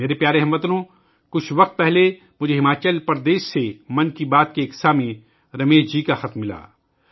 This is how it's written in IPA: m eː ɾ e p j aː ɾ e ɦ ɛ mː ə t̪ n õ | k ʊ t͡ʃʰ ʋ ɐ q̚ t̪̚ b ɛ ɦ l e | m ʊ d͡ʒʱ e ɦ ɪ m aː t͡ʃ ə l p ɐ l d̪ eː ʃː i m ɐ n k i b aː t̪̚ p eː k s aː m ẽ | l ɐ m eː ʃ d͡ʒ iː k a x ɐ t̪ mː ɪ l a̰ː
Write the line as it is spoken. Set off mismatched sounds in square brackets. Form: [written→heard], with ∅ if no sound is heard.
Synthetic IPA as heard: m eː ɾ e p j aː ɾ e ɦ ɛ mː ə t̪ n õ | k ʊ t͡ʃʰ ʋ ɐ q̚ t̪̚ [b→p] ɛ ɦ l e | m ʊ d͡ʒʱ e ɦ ɪ m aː t͡ʃ ə l p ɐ [l→ɾ] d̪ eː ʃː [i→e] m ɐ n k i b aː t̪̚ [p→k] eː k s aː m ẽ | [l→ɾ] ɐ m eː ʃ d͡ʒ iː k a x ɐ t̪ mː ɪ l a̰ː